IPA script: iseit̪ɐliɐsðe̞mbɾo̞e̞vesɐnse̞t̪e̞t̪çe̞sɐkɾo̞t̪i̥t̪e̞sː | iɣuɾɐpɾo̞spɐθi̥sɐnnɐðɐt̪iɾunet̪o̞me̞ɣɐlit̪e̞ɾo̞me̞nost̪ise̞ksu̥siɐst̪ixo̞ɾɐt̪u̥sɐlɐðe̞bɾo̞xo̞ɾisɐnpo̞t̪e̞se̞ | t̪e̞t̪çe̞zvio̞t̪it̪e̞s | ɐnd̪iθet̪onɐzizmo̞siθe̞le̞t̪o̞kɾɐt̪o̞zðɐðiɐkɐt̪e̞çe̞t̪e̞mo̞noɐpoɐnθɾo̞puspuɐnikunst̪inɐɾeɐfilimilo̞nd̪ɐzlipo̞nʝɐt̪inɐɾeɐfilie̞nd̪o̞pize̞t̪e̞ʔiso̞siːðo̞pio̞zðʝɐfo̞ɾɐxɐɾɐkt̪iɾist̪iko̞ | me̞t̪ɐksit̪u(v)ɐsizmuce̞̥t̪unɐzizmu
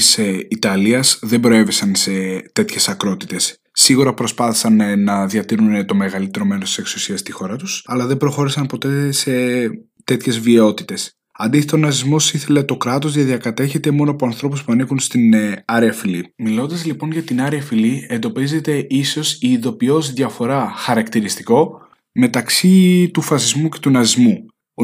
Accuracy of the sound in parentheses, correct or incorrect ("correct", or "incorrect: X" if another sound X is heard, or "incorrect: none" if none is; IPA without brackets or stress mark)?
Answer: incorrect: f